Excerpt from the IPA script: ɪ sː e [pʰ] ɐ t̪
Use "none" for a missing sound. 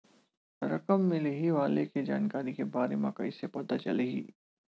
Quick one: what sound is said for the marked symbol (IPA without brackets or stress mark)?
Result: p